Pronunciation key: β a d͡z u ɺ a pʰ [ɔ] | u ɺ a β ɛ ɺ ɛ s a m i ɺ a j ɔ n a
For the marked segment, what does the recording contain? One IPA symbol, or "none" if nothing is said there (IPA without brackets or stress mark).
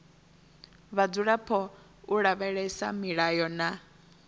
ɔ